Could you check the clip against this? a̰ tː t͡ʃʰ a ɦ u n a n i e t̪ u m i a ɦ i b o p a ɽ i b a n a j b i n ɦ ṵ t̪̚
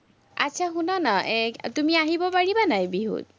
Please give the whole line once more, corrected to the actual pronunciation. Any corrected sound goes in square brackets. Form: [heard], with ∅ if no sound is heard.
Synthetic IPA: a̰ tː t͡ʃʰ a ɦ u n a n [a] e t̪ u m i a ɦ i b [ɔ] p a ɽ i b a n a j b i [∅] ɦ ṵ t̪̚